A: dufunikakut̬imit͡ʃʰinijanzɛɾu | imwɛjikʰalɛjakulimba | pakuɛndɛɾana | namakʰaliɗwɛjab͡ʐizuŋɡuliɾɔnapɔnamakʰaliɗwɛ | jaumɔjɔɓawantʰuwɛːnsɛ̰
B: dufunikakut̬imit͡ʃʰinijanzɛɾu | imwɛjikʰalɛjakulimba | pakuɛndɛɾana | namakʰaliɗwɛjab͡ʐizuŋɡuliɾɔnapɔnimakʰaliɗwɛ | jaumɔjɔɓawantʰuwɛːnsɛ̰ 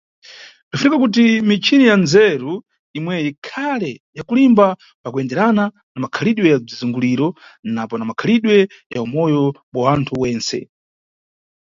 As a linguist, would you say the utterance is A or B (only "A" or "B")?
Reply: A